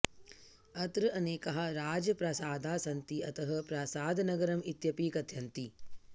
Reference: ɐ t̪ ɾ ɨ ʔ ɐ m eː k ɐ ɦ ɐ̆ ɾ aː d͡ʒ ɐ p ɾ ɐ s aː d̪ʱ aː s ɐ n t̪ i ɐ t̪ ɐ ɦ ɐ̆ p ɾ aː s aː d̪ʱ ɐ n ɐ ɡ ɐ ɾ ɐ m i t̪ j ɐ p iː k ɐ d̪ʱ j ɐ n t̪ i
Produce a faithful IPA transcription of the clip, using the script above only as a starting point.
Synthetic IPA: ɐ t̪ ɾ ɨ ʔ ɐ n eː k ɐ ɦ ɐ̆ ɾ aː d͡ʒ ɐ p ɾ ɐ s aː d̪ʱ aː s ɐ n t̪ i ɐ t̪ ɐ ɦ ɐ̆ p ɾ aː s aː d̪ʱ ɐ n ɐ ɡ ɐ ɾ ɐ m i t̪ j ɐ p iː k ɐ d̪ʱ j ɐ n t̪ i